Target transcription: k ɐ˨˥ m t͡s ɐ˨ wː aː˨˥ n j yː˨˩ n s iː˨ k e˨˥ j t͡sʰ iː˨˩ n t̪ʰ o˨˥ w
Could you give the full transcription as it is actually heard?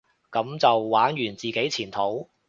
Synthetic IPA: k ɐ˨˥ m t͡s ɐ˨ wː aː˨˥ n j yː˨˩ n t͡s iː˨ k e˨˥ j t͡sʰ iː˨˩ n t̪ʰ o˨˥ w